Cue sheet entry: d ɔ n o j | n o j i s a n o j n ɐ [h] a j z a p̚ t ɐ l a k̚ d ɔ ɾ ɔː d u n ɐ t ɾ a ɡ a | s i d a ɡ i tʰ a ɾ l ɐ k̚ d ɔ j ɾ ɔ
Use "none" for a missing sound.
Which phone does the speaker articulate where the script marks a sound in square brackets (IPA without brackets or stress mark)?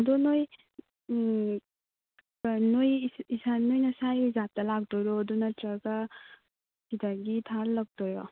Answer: s